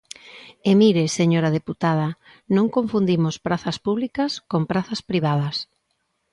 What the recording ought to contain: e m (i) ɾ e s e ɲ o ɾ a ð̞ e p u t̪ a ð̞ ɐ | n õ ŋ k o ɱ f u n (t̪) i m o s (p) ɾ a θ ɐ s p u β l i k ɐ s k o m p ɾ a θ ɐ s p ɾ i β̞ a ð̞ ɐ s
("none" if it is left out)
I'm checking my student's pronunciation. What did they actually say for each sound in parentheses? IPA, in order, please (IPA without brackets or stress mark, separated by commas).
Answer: i, d̪, p